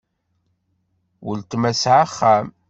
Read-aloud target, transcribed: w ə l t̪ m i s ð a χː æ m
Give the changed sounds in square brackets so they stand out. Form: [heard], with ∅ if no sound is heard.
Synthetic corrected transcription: w ə l t̪ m [æ] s [ʕ] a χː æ m